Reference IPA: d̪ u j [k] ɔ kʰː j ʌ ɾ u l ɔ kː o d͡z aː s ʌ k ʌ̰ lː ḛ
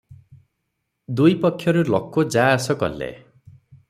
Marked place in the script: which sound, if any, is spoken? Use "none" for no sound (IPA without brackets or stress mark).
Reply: p